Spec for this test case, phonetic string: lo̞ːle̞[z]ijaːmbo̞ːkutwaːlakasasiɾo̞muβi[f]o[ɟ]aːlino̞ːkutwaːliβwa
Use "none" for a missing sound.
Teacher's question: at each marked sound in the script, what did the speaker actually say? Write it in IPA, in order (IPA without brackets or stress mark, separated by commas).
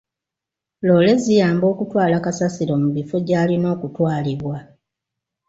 z, f, ɟ